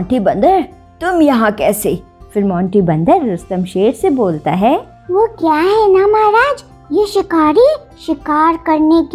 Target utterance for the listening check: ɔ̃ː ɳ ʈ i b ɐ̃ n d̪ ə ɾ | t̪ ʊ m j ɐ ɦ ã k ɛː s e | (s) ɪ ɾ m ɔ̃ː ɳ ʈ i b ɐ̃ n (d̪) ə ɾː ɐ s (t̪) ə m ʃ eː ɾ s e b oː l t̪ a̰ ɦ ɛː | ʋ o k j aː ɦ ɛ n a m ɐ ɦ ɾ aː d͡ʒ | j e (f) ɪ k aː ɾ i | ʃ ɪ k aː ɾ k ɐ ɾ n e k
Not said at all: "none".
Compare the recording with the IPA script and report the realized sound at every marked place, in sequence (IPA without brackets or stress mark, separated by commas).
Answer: f, d̪, t̪, ʃ